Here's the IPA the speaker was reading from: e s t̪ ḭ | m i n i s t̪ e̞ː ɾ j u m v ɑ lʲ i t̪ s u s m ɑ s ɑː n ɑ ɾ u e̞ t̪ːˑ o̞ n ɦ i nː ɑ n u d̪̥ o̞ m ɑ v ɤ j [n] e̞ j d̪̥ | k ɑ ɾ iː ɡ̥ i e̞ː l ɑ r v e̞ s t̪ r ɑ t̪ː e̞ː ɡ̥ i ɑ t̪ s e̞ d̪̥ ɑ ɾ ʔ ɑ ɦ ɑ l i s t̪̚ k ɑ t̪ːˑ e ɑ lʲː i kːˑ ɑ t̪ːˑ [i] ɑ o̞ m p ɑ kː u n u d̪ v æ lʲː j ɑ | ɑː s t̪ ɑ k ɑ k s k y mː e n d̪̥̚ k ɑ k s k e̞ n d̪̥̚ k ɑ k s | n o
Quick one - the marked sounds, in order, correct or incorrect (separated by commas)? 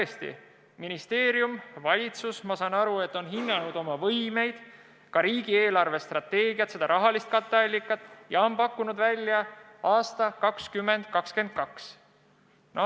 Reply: incorrect, incorrect